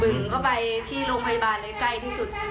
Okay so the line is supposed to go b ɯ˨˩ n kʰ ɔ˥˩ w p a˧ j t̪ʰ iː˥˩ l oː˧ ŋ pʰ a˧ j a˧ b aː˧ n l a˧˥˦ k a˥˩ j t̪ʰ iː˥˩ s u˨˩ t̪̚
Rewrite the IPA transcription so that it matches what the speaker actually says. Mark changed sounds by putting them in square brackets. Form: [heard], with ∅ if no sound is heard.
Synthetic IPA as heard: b ɯ˨˩ [ŋ] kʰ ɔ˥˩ w p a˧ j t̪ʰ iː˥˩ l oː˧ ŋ pʰ a˧ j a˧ b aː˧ n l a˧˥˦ k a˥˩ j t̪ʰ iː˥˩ s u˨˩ t̪̚